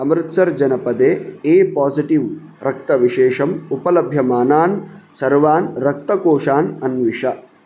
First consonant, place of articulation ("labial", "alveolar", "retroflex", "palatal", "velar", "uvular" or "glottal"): labial